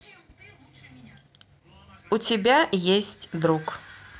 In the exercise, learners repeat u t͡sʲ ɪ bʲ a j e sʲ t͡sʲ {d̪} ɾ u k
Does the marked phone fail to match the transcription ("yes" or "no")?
no